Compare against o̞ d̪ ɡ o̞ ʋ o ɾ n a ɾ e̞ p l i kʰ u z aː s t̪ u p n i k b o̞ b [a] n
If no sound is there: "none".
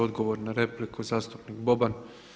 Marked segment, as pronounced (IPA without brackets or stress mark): a